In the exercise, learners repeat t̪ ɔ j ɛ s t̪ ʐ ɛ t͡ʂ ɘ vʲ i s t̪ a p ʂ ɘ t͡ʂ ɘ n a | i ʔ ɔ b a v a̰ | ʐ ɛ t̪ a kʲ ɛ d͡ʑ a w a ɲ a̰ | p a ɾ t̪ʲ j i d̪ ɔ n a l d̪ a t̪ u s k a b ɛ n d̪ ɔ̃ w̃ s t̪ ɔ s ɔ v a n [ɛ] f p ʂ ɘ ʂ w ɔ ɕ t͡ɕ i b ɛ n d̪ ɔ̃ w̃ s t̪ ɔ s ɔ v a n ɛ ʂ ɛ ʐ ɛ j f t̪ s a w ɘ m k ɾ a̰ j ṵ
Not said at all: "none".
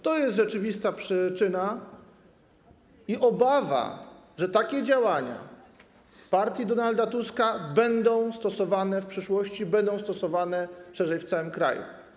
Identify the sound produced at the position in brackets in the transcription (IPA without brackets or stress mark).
ɛ